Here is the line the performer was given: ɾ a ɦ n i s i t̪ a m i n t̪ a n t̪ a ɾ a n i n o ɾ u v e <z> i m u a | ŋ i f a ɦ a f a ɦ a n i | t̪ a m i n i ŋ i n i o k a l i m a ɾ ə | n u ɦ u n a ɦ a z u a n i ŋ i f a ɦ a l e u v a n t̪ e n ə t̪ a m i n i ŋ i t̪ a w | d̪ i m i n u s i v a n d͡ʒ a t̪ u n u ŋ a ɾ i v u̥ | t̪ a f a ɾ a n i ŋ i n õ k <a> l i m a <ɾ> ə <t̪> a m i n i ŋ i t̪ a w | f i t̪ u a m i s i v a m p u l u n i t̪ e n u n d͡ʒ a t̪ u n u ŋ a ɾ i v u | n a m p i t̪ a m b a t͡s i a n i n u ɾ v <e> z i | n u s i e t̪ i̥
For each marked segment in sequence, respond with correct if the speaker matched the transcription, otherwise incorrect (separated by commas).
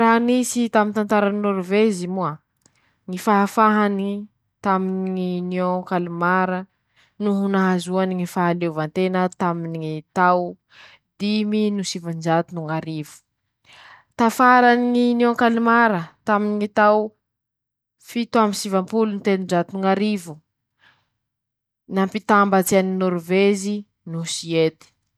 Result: correct, correct, correct, correct, correct